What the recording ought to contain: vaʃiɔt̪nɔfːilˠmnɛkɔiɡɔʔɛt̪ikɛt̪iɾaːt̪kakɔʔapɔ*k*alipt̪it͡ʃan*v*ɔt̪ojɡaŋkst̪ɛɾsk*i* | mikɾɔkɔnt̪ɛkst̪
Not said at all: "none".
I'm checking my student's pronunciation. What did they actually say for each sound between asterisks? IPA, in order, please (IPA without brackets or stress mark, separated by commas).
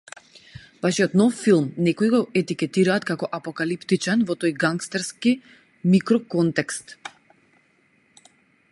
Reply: k, v, i